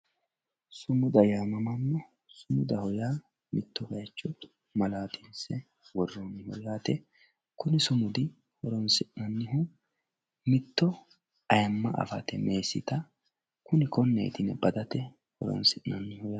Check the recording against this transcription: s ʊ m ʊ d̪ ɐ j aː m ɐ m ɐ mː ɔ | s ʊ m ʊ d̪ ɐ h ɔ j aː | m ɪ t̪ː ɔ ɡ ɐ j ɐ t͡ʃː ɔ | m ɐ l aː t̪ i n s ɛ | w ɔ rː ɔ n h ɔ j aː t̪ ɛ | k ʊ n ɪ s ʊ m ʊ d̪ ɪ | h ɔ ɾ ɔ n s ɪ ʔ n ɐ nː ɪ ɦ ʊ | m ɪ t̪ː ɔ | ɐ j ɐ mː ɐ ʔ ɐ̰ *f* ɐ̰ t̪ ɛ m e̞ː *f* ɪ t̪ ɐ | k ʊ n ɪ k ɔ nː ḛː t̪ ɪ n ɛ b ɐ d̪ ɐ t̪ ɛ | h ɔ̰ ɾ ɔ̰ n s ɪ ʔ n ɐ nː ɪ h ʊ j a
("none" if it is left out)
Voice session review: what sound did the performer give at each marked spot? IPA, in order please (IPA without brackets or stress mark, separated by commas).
f, s